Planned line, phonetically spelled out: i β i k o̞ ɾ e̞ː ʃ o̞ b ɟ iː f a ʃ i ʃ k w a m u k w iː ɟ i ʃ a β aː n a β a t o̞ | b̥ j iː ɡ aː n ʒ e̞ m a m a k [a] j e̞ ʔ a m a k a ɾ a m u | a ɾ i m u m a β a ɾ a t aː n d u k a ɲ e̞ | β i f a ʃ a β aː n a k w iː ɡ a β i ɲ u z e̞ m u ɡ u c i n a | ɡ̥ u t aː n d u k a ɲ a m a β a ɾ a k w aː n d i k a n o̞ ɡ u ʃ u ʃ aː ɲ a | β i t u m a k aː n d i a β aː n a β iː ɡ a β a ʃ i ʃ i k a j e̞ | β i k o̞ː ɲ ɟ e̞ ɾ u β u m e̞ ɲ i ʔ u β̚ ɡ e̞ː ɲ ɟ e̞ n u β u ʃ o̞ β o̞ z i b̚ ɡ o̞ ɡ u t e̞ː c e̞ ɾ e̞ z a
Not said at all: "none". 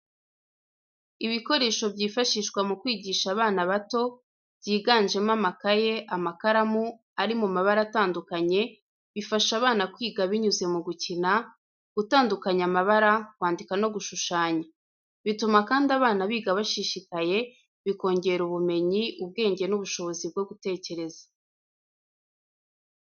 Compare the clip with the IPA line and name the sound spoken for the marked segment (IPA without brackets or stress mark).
a